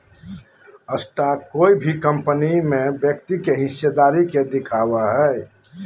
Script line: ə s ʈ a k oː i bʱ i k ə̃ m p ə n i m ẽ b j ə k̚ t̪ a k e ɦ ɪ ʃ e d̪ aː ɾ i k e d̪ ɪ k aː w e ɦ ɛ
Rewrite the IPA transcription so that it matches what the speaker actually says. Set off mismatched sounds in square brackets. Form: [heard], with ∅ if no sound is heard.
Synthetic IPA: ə s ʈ a k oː i bʱ i k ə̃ m p ə n i m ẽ b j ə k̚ t̪ [i] k e ɦ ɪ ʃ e d̪ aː ɾ i k e d̪ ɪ [kʰ] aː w [a] ɦ ɛ

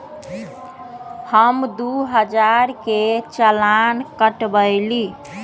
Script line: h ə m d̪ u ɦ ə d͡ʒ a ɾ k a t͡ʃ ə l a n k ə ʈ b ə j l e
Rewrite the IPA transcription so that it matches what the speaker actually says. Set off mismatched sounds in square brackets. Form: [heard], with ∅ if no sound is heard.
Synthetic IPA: h ə m d̪ u ɦ ə d͡ʒ a ɾ k [e] t͡ʃ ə l a n k ə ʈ b ə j l [i]

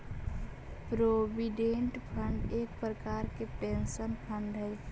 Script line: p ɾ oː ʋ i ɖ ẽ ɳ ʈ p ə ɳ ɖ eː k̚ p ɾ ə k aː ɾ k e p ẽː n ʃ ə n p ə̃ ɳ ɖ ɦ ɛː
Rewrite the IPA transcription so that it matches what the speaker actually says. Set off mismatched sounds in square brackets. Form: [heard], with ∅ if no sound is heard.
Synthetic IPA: p ɾ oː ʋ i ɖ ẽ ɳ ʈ [pʰ] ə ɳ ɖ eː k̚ p ɾ ə k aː ɾ k e p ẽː n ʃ ə n [pʰ] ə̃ ɳ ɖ ɦ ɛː

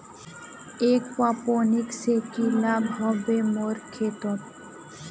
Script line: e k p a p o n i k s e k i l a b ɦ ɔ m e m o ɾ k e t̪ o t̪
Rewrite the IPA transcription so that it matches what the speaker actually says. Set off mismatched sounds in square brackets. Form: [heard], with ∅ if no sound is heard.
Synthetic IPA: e k p a p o n i k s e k i l a b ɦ ɔ [b] e m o ɾ [kʰ] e t̪ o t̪

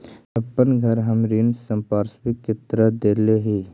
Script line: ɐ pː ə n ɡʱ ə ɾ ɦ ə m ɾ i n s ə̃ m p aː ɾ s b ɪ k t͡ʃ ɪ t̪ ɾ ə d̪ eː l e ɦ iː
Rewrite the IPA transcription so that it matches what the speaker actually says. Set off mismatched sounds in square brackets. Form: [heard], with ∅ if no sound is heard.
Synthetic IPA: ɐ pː ə n ɡʱ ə ɾ ɦ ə m ɾ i n s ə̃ m p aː ɾ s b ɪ k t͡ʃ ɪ t̪ ɾ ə d̪ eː l e ɦ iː

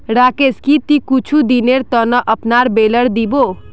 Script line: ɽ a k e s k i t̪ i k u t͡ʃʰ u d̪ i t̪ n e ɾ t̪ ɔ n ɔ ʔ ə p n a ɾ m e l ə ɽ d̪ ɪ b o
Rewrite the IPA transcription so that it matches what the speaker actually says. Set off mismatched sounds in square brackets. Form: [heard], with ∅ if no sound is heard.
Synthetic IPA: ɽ a k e s k i t̪ i k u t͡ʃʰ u d̪ i [∅] n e ɾ t̪ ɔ n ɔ ʔ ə p n a ɾ [b] e l ə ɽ d̪ [i] b o

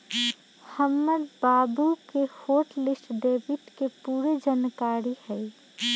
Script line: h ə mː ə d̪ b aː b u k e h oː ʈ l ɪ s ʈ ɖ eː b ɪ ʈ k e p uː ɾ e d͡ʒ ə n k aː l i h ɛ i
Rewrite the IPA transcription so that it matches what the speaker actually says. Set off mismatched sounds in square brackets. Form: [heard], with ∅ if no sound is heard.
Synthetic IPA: h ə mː ə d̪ b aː b u k e h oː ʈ l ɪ s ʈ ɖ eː b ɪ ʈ k e p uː ɾ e d͡ʒ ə n k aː [ɾ] i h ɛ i

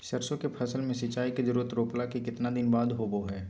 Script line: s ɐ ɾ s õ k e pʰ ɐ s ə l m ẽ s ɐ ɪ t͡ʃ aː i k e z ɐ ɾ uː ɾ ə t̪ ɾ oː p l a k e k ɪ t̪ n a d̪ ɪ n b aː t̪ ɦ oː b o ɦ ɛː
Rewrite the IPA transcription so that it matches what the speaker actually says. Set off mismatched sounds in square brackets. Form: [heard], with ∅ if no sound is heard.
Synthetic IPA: s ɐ ɾ s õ k e pʰ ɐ s ə l m ẽ s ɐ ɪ t͡ʃ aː i k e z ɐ ɾ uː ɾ ə t̪ ɾ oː p l a k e k ɪ t̪ n a d̪ ɪ n b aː [d̪] ɦ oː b o ɦ ɛː

